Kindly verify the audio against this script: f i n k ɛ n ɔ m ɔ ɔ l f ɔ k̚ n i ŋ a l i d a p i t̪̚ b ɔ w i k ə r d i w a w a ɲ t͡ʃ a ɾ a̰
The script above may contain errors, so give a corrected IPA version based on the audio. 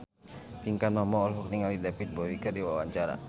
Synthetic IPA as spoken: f i ŋ k a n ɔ m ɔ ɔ l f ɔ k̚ n i ŋ a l i d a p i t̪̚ b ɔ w i k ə r d i w a w a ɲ t͡ʃ a ɾ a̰